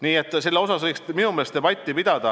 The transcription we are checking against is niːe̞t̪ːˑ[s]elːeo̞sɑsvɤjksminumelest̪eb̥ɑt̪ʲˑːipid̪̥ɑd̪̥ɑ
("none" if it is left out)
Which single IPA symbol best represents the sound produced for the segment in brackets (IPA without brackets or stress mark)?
s